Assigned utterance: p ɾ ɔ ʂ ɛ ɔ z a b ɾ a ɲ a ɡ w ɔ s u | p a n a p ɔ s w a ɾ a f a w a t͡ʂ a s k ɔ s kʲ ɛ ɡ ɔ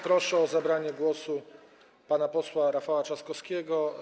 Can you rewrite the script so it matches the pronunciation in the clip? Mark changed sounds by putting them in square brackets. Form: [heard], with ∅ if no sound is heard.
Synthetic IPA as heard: p ɾ ɔ ʂ ɛ ɔ z a b ɾ a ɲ [ɛ] ɡ w ɔ s u | p a n a p ɔ s w a ɾ a f a w a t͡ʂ a s k ɔ s kʲ ɛ ɡ ɔ